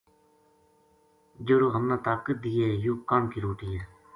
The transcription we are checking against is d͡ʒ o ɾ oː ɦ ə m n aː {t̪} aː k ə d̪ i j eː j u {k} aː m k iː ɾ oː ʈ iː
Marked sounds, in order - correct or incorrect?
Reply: correct, correct

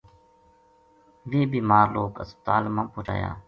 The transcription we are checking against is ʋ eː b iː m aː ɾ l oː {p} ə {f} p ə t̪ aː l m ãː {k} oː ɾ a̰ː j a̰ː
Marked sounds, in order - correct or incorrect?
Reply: incorrect: k, incorrect: s, incorrect: p

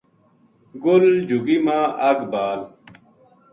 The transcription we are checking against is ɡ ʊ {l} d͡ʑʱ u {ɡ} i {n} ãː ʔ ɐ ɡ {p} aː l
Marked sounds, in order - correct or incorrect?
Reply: correct, correct, incorrect: m, incorrect: b

